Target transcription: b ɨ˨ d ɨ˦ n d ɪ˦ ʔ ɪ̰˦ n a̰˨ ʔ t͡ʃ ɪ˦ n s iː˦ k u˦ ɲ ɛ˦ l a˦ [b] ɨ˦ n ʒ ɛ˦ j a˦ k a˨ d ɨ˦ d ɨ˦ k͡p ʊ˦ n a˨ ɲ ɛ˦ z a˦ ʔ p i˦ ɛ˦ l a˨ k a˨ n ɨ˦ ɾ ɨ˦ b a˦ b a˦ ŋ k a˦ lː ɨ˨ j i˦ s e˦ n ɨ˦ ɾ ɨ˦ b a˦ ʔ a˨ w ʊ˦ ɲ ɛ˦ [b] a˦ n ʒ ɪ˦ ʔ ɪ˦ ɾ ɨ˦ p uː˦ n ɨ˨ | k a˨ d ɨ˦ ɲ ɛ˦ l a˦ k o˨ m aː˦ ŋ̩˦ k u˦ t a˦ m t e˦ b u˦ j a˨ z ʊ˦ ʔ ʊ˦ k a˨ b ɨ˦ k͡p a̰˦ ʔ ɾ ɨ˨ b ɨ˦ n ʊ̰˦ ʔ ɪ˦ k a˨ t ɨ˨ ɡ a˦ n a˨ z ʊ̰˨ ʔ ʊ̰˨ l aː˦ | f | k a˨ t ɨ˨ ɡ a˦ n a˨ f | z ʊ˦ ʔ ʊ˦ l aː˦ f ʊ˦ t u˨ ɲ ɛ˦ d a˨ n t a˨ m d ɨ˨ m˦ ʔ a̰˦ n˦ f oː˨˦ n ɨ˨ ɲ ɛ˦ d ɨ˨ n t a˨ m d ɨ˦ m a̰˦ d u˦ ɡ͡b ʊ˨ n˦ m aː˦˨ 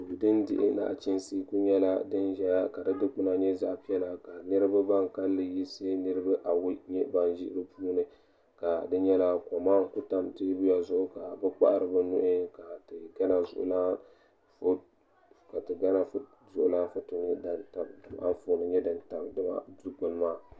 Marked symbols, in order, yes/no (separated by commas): no, yes